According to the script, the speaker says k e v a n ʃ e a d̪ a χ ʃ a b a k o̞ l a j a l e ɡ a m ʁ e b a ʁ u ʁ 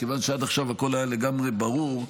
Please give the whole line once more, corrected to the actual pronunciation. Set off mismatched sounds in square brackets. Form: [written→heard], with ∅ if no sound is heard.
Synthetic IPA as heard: k e v a n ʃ e a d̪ a χ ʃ a [b→v] a k o̞ l a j a l e ɡ a m ʁ e b a ʁ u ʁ